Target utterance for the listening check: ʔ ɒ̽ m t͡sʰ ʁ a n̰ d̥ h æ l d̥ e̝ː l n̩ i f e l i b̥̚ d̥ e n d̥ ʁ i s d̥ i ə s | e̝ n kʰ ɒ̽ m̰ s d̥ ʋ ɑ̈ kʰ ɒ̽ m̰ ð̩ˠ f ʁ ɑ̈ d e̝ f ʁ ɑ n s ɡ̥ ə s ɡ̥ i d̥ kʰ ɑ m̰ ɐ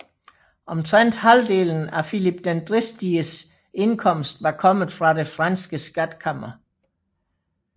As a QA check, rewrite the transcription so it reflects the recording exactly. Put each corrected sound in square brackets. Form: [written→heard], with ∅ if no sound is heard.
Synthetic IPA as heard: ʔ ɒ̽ m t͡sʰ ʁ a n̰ d̥ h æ l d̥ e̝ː l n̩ [i→æ] f [e→i] l i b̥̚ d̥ e n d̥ ʁ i s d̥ i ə s | e̝ n kʰ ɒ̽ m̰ s d̥ ʋ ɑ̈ kʰ ɒ̽ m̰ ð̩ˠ f ʁ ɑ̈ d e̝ f ʁ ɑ n s ɡ̥ ə s ɡ̥ [i→æ] d̥ kʰ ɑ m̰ ɐ